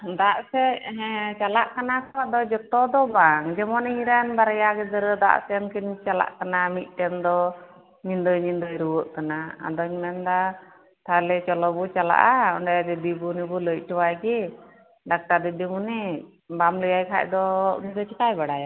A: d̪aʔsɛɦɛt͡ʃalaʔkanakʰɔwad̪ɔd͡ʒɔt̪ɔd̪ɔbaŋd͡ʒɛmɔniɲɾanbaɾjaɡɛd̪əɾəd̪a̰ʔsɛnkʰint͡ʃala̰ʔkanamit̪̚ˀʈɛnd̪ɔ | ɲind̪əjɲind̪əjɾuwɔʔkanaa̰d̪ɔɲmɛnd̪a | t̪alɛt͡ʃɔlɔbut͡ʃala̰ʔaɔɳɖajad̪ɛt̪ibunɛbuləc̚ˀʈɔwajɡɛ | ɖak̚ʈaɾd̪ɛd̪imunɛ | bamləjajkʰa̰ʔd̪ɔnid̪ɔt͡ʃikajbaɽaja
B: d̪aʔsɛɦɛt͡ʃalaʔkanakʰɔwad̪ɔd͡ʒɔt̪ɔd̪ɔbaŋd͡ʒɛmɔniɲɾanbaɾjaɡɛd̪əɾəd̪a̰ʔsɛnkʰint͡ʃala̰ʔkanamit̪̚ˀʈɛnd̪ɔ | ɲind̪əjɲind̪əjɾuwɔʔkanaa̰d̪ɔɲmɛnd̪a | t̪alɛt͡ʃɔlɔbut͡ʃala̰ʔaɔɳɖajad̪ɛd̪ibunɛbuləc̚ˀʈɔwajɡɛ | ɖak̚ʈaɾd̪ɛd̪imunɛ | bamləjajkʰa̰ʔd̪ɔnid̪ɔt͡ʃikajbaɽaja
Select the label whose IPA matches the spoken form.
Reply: B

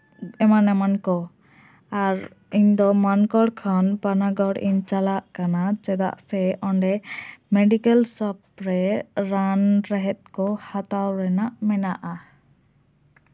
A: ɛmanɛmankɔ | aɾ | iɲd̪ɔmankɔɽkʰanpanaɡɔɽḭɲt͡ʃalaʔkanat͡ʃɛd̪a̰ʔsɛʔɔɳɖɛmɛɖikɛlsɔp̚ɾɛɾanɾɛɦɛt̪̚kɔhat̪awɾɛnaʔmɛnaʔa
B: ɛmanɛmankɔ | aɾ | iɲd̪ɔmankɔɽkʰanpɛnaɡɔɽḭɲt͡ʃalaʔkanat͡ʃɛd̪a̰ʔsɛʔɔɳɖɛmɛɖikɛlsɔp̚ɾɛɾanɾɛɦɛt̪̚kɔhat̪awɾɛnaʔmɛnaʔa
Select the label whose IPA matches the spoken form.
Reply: A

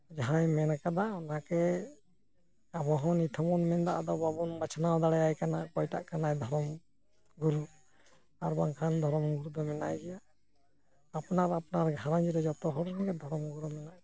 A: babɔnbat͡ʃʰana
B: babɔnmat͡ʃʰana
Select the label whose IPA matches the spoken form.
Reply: A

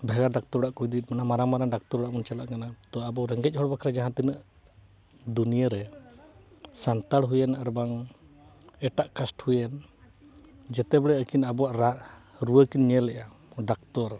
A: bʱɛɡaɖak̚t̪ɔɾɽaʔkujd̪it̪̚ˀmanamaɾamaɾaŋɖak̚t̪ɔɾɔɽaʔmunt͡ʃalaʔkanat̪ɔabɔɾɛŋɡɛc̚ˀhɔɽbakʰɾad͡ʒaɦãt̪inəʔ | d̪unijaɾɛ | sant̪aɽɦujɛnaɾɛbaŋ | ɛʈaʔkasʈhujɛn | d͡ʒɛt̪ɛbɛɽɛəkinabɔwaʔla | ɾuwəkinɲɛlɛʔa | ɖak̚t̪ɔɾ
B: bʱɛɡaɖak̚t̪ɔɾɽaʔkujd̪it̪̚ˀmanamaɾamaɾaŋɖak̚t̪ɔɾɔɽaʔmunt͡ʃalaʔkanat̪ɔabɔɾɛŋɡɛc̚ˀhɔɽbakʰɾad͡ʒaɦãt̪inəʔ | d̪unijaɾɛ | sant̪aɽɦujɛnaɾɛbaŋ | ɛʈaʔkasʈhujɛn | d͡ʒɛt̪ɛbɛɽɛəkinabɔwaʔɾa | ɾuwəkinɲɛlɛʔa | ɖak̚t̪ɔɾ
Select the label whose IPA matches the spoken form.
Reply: B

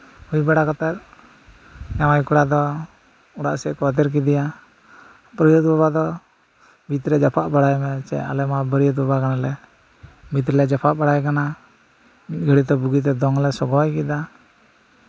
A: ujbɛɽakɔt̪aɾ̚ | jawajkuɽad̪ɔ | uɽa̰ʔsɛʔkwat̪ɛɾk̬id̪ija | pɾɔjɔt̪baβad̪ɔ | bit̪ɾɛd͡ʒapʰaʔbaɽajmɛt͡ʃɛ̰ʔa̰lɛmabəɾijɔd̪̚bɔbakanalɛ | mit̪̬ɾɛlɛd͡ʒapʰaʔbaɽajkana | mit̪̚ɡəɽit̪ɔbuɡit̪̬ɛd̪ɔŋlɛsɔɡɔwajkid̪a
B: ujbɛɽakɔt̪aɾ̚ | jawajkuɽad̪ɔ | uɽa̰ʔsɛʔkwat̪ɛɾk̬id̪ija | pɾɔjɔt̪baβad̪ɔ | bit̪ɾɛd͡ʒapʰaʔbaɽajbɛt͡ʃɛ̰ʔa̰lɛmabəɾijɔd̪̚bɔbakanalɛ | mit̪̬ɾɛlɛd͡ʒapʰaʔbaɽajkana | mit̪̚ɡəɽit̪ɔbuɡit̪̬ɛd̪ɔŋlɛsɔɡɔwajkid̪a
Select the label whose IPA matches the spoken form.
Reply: A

